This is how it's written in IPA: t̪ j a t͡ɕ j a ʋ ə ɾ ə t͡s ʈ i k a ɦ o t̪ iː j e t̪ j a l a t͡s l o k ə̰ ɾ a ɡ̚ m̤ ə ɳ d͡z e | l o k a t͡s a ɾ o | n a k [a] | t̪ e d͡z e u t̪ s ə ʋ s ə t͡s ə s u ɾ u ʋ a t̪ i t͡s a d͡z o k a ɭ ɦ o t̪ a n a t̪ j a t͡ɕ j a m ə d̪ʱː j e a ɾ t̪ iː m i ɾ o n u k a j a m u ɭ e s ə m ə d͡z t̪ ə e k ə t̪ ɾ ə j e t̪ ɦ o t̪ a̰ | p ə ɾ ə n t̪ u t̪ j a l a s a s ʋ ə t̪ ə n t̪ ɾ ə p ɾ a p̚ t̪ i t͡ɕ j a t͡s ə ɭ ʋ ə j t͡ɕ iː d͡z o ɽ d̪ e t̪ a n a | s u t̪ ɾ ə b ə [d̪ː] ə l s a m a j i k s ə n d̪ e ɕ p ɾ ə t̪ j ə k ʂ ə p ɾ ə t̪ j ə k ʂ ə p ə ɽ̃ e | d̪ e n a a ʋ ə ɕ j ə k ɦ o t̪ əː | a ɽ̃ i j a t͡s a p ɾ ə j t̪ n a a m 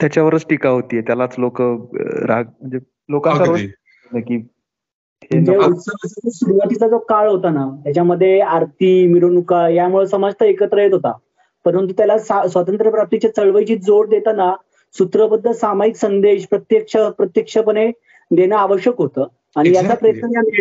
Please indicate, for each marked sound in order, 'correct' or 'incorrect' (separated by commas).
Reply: incorrect, correct